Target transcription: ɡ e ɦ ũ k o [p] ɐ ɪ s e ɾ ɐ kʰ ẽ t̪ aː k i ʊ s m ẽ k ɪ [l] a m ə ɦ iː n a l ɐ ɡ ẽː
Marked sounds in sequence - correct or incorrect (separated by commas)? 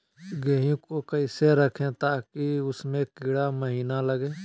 incorrect, incorrect